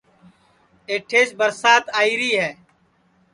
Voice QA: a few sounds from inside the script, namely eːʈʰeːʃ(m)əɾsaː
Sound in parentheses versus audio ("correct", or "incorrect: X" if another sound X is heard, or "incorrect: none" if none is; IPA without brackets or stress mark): incorrect: b